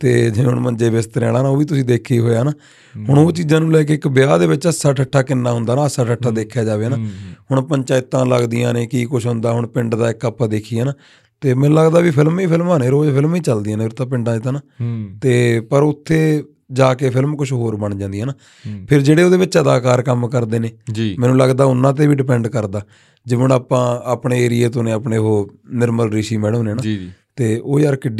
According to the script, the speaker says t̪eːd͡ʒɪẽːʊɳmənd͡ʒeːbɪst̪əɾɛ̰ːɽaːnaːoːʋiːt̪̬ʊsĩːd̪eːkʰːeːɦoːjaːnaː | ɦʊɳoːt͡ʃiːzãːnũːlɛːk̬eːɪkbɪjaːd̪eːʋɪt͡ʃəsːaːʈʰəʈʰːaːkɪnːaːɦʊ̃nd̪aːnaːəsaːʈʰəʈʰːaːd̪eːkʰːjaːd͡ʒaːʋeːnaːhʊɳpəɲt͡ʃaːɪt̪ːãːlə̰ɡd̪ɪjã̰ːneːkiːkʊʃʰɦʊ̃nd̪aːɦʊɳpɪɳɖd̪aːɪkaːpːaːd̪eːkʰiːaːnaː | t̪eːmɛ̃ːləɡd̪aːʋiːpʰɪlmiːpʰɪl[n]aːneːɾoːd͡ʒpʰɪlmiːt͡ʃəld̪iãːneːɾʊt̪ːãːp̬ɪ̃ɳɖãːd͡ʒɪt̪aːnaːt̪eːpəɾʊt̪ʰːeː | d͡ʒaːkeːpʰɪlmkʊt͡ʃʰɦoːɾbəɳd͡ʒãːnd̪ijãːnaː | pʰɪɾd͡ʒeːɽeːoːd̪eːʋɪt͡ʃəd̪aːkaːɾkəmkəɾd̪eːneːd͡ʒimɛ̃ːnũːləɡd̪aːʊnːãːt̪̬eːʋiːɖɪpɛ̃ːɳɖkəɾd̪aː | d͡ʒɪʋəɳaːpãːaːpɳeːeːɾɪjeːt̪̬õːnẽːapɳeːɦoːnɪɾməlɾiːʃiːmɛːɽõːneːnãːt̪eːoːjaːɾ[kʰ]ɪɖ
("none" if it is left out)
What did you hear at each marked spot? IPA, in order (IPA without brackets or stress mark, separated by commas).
m, k